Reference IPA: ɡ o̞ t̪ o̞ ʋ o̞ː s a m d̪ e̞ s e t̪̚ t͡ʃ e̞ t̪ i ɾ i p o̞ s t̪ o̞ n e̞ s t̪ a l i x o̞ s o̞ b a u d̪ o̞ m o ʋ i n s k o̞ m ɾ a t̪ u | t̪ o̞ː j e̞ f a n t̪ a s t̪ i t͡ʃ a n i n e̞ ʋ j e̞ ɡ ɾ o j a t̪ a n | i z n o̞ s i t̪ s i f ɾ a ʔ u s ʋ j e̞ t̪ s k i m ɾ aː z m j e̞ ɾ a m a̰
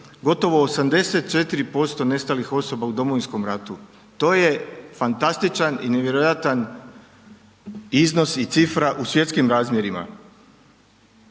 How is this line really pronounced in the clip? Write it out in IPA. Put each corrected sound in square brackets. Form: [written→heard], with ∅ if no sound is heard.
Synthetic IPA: ɡ o̞ t̪ o̞ ʋ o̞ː s a m d̪ e̞ s e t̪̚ t͡ʃ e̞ t̪ i ɾ i p o̞ s t̪ o̞ n e̞ s t̪ a l i x o̞ s o̞ b a u d̪ o̞ m o ʋ i n s k o̞ m ɾ a t̪ u | t̪ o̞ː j e̞ f a n t̪ a s t̪ i t͡ʃ a n i n e̞ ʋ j e̞ [ɡ→∅] ɾ o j a t̪ a n | i z n o̞ s i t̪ s i f ɾ a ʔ u s ʋ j e̞ t̪ s k i m ɾ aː z m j e̞ ɾ [a→i] m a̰